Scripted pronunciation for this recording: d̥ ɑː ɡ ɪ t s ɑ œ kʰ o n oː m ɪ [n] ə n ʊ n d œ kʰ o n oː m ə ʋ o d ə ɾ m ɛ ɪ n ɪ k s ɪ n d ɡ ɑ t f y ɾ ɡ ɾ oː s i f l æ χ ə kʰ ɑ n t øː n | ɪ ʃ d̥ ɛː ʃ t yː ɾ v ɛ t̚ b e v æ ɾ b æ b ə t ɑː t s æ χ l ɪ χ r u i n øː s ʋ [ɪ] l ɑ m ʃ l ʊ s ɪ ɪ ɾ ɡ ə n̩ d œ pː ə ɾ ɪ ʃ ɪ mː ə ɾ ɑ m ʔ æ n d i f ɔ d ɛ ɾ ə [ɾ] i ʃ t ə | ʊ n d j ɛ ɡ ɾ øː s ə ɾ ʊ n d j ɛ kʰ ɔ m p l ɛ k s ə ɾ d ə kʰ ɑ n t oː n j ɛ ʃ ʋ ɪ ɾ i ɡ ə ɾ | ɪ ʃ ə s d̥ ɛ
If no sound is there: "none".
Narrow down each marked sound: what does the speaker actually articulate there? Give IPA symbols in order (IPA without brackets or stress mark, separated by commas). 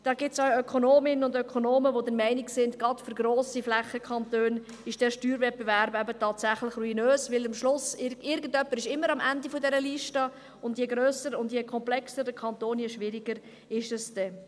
n, ɪ, l